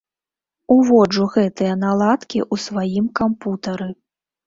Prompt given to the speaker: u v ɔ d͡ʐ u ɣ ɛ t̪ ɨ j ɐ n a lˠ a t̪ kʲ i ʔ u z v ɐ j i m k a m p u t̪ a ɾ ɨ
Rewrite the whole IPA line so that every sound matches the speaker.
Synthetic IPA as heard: u v ɔ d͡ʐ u ɣ ɛ t̪ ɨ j ɐ n a lˠ a t̪ kʲ i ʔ u s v a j i m k a m p u t̪ ɐ ɾ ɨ